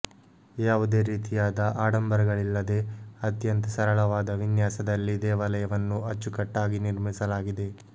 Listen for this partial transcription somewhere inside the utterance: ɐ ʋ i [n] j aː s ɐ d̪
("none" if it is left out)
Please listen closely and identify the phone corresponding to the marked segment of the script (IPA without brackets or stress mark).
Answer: n